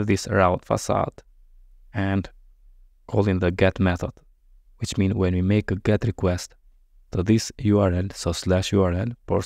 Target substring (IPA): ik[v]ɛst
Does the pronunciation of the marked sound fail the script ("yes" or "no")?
yes